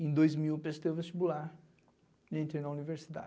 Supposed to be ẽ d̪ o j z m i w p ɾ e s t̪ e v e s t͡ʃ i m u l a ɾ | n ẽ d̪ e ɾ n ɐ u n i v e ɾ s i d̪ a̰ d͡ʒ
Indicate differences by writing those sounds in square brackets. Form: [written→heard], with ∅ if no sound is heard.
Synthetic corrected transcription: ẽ d̪ o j z m i w p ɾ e s t̪ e v e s t͡ʃ i [m→b] u l a ɾ | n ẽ [d̪→t̪] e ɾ n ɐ u n i v e ɾ s i d̪ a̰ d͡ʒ

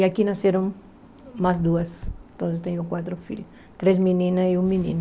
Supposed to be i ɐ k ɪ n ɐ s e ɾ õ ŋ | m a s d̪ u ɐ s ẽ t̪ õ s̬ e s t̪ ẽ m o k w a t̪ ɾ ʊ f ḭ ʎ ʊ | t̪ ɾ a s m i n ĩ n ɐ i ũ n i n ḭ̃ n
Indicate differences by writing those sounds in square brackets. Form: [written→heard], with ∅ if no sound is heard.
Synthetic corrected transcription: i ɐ k [ɪ→i] n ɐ s e ɾ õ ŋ | m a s d̪ u ɐ s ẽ t̪ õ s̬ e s t̪ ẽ [m→ɲ] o k w a t̪ ɾ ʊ f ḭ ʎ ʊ | t̪ ɾ [a→e] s m i n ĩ n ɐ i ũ [n→m] i n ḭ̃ n

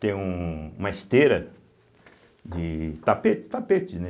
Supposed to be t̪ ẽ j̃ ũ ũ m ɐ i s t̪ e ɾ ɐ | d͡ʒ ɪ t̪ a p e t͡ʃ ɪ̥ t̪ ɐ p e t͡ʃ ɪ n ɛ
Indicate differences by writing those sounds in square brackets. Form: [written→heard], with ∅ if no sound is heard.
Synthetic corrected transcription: t̪ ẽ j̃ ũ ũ m ɐ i s t̪ e ɾ ɐ | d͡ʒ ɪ t̪ a p e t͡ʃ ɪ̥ t̪ [ɐ→a] p e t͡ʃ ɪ n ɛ

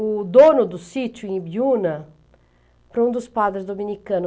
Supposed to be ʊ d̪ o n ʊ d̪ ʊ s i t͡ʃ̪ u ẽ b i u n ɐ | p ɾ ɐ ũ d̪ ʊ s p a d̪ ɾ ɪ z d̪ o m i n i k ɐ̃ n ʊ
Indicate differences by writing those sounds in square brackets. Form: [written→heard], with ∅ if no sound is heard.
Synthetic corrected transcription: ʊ d̪ o n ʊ d̪ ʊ s i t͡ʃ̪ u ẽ b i u n ɐ | p ɾ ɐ ũ d̪ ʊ s p a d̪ ɾ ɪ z d̪ o m i n i k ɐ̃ n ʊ

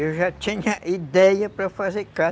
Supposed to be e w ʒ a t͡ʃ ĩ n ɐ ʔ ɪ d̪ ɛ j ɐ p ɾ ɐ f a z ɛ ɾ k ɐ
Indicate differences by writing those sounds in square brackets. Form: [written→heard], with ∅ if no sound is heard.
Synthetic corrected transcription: e w ʒ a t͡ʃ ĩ [n→ɲ] ɐ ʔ [ɪ→i] d̪ ɛ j ɐ p ɾ ɐ f a z [ɛ→e] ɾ k [ɐ→a]

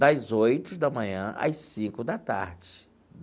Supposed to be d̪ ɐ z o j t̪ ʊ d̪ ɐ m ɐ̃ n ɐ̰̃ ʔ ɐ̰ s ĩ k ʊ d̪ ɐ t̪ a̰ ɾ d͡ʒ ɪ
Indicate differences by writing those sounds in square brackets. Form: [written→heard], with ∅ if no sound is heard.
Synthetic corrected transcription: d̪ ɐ z o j t̪ ʊ d̪ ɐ m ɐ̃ [n→ɲ] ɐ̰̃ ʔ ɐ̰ s ĩ k ʊ d̪ ɐ t̪ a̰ ɾ d͡ʒ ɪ

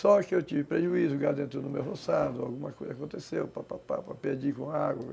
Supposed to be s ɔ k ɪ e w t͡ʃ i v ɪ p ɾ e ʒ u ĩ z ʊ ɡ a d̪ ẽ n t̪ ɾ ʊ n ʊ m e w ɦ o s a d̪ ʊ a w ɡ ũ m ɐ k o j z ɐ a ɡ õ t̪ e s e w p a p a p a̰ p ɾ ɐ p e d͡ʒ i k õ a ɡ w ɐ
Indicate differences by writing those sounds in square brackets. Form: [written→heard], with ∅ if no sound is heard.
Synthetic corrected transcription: s ɔ k ɪ e w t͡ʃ i v ɪ p ɾ e ʒ u [ĩ→i] z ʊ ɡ a d̪ ẽ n t̪ ɾ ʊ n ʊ m e w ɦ o s a d̪ ʊ a w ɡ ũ m ɐ k o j z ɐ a [ɡ→k] õ t̪ e s e w p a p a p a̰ p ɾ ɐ p e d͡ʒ i k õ a ɡ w ɐ

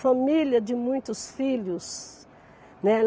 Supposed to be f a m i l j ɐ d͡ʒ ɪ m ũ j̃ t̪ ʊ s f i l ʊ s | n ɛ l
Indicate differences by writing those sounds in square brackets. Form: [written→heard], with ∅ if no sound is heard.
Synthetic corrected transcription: f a m i l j ɐ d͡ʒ ɪ m ũ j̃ t̪ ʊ s f i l ʊ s | n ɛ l

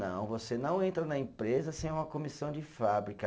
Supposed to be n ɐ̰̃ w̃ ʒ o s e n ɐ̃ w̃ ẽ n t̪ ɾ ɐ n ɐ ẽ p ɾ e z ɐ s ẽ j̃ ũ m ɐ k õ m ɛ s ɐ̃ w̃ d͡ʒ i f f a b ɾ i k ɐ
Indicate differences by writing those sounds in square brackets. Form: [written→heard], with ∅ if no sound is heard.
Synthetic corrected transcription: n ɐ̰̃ w̃ [ʒ→v] o s e n ɐ̃ w̃ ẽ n t̪ ɾ ɐ n ɐ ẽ p ɾ e z ɐ s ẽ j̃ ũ m ɐ k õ m [ɛ→i] s ɐ̃ w̃ d͡ʒ [i→ɪ] f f a b ɾ i k ɐ

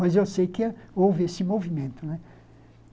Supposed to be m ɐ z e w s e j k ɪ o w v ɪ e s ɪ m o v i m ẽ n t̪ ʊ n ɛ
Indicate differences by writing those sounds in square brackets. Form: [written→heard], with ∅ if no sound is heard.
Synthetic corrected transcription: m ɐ z e w s e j k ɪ o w v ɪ e s ɪ m o v i m ẽ n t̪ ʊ n ɛ

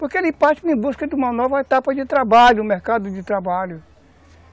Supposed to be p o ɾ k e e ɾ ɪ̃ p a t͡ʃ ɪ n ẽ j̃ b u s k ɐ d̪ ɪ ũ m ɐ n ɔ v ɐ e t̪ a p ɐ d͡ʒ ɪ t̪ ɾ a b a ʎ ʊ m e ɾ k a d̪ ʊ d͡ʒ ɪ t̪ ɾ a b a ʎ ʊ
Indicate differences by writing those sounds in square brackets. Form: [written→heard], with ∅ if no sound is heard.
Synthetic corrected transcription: p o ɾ k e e [ɾ→l] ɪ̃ p a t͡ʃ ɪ n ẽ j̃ b u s k ɐ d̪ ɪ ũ m ɐ n ɔ v ɐ e t̪ a p ɐ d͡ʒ ɪ t̪ ɾ a b a ʎ ʊ m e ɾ k a d̪ ʊ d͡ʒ ɪ t̪ ɾ a b a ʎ ʊ

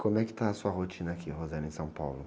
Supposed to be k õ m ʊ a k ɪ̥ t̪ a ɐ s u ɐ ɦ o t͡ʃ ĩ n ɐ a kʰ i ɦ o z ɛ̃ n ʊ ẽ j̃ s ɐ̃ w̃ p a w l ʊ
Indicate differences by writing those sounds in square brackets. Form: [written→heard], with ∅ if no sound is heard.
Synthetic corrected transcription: k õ m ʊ [a→ɛ] k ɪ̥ t̪ a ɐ s u ɐ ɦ o t͡ʃ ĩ n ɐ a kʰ i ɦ o z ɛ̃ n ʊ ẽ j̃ s ɐ̃ w̃ p a w l ʊ

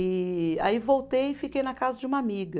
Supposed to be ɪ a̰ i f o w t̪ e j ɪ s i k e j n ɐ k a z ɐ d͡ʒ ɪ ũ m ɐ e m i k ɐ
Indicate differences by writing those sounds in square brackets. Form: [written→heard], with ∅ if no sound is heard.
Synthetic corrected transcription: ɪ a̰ i [f→v] o w t̪ e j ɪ [s→f] i k e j n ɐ k a z ɐ d͡ʒ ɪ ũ m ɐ [e→a] m i [k→ɡ] ɐ

